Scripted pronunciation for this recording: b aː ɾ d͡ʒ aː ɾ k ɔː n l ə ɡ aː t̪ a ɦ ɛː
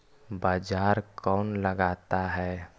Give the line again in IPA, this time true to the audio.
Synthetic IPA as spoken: b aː d͡ʒ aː ɾ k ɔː n l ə ɡ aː t̪ a ɦ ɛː